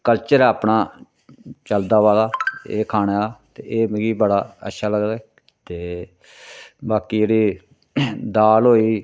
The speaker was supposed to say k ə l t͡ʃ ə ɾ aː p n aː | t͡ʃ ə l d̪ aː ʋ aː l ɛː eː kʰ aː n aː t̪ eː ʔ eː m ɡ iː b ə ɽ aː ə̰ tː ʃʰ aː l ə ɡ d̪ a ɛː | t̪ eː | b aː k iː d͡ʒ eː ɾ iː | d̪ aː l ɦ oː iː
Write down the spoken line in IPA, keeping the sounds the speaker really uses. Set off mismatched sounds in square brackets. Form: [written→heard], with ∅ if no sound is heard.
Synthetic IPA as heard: k ə l t͡ʃ ə ɾ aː p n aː | t͡ʃ ə l d̪ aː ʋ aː l [ɛː→aː] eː kʰ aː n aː t̪ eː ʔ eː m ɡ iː b ə ɽ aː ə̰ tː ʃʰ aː l ə ɡ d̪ a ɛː | t̪ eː | b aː k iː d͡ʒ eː [ɾ→ɽ] iː | d̪ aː l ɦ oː iː

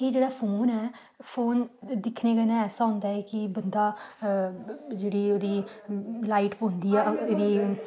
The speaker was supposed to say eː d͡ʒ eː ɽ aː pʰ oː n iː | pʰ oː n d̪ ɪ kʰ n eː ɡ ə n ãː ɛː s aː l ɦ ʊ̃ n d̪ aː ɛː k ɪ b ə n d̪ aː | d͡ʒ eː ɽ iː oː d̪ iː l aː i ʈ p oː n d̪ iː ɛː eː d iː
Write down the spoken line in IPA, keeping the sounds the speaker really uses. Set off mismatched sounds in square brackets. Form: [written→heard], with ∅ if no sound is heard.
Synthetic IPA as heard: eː d͡ʒ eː ɽ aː pʰ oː n [iː→ɛː] | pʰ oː n d̪ ɪ kʰ n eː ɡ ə n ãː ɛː s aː [l→∅] ɦ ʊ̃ n d̪ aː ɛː k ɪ b ə n d̪ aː | d͡ʒ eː ɽ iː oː d̪ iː l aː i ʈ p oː n d̪ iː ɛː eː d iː

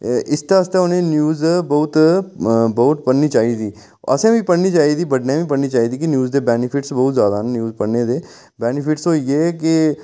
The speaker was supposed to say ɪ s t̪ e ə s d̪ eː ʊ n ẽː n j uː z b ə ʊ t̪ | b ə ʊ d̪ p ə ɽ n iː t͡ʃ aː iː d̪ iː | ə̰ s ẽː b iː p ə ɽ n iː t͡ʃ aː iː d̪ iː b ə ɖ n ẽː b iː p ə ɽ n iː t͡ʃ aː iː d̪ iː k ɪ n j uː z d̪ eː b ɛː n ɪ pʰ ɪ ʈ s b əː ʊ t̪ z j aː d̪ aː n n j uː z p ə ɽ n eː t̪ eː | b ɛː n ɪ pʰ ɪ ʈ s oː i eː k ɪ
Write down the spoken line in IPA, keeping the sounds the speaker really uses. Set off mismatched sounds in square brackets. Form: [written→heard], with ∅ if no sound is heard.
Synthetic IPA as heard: ɪ s t̪ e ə s [d̪→t̪] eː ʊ n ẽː n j uː z b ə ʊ t̪ | b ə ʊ [d̪→t̪] p ə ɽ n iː t͡ʃ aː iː d̪ iː | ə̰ s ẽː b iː p ə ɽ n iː t͡ʃ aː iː d̪ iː b ə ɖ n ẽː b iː p ə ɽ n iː t͡ʃ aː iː d̪ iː k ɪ n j uː z d̪ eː b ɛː n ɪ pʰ ɪ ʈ s b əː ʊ t̪ z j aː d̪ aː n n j uː z p ə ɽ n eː [t̪→d̪] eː | b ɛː n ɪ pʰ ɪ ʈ s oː i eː k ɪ

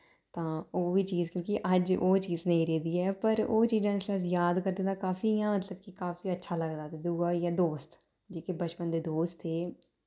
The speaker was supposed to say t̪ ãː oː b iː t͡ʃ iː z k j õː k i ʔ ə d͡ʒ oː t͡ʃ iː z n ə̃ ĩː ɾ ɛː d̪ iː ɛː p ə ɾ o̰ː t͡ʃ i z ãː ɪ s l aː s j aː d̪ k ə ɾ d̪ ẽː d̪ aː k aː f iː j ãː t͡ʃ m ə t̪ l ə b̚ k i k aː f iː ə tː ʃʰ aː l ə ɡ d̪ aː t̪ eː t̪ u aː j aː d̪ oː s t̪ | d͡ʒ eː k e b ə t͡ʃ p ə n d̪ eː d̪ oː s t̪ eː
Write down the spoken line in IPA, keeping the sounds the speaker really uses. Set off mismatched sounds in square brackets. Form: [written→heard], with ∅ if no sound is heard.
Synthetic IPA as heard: t̪ ãː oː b iː t͡ʃ iː z k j õː k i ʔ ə d͡ʒ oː t͡ʃ iː z n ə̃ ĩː ɾ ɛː d̪ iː ɛː p ə ɾ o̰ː t͡ʃ [i→iː] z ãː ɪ s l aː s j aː d̪ k ə ɾ d̪ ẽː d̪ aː k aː f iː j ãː [t͡ʃ→∅] m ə t̪ l ə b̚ k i k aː f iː ə tː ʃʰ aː l ə ɡ d̪ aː t̪ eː [t̪→d̪] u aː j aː d̪ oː s t̪ | d͡ʒ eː k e b ə t͡ʃ p ə n d̪ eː d̪ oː s t̪ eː

